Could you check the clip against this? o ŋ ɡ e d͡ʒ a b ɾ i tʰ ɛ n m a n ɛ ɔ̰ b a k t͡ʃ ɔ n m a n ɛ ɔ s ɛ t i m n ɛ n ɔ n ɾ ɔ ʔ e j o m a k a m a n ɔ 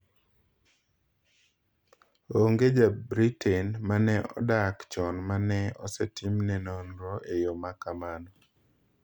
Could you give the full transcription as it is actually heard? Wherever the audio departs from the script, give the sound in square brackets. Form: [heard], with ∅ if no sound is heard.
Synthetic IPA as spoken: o ŋ ɡ e d͡ʒ a b ɾ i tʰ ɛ n m a n ɛ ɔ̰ [d] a k t͡ʃ ɔ n m a n ɛ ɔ s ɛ t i m n ɛ n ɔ n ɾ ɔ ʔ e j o m a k a m a n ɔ